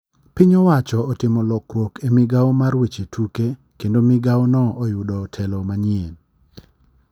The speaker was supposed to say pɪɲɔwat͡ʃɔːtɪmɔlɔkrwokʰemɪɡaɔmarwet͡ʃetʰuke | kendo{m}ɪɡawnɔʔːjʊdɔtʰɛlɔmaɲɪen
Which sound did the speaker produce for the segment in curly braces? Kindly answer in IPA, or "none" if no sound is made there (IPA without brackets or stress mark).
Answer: m